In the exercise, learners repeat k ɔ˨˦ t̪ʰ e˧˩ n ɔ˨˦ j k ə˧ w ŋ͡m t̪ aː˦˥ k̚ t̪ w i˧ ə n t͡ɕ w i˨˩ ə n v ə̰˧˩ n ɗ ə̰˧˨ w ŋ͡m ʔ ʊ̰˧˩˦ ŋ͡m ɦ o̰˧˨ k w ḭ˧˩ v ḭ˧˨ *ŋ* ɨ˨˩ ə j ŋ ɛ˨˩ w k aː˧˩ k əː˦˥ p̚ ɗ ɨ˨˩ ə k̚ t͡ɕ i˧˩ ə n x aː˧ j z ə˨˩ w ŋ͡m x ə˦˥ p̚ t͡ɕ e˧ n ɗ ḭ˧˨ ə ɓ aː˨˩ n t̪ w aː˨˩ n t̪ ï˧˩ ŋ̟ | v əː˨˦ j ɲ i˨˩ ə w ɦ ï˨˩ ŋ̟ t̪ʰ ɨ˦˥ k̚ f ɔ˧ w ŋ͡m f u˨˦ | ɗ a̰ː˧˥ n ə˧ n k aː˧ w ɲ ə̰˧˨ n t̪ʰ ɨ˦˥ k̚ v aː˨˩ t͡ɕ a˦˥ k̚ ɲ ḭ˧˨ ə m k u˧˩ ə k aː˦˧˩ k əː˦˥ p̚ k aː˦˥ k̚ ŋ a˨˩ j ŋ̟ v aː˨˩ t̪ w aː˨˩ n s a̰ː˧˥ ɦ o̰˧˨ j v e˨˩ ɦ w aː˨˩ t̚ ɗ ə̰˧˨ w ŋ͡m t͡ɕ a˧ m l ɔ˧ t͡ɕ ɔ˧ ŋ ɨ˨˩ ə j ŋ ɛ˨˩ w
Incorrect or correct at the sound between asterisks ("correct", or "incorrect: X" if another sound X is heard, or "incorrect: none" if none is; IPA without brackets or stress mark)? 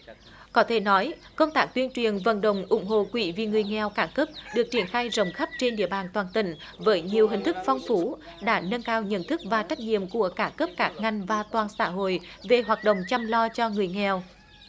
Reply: correct